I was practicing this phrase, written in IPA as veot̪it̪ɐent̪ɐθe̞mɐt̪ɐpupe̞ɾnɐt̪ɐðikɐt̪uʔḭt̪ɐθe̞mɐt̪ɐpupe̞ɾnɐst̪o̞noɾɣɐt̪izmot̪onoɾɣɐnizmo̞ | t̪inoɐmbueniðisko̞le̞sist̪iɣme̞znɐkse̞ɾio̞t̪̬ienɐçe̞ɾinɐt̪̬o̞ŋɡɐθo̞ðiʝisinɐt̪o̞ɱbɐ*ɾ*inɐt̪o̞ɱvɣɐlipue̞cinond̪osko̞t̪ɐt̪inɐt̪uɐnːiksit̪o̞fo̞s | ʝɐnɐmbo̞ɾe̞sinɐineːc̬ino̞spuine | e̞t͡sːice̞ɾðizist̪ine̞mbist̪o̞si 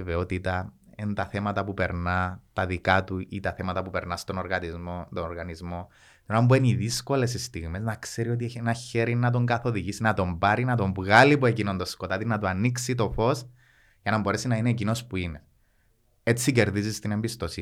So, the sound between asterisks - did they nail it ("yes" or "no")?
yes